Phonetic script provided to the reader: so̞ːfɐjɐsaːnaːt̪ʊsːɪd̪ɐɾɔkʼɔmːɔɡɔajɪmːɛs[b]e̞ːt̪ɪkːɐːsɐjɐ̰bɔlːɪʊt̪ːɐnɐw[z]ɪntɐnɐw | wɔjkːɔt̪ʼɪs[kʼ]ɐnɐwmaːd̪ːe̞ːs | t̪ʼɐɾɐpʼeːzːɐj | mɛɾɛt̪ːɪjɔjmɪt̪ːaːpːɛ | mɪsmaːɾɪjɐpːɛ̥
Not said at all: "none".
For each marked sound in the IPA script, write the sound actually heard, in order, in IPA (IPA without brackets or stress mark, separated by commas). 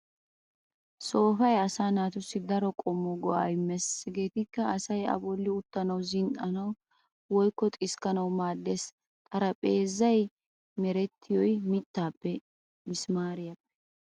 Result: ɡ, z, k